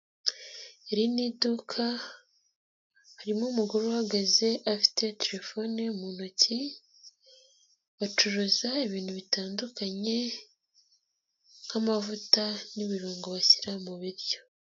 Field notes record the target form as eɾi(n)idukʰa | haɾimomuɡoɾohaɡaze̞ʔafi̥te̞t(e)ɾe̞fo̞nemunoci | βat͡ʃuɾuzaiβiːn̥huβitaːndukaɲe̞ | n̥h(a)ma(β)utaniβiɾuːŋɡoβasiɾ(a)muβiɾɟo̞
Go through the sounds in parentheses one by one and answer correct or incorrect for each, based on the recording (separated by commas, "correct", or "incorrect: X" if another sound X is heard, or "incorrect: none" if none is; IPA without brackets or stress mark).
correct, correct, correct, incorrect: v, correct